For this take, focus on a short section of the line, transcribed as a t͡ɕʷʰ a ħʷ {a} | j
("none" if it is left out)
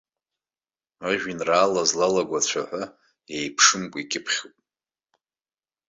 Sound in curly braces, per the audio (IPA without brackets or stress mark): a